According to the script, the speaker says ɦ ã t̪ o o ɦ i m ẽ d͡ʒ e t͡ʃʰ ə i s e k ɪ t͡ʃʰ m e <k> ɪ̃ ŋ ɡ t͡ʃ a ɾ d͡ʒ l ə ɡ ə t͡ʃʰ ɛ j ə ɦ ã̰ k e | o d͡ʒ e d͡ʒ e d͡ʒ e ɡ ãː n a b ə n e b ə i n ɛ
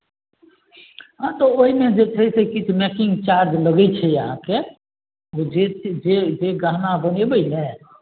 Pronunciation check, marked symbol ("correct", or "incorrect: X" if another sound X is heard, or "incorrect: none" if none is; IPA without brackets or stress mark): correct